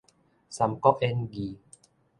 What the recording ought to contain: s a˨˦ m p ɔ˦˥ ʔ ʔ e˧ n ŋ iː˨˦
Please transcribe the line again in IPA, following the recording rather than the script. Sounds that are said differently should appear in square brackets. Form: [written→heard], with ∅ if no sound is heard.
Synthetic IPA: s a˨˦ m [p→k] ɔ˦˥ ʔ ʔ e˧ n [ŋ→ɡ] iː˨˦